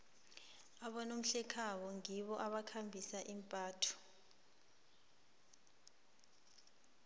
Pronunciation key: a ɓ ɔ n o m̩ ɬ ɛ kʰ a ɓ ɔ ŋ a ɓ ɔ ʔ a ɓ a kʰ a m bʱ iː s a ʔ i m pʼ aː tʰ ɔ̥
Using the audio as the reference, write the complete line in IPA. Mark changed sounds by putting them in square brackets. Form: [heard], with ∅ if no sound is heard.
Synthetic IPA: a ɓ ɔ n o m̩ ɬ ɛ kʰ a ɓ ɔ ŋ [i] ɓ ɔ ʔ a ɓ a kʰ a m bʱ [i] s a ʔ i m pʼ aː tʰ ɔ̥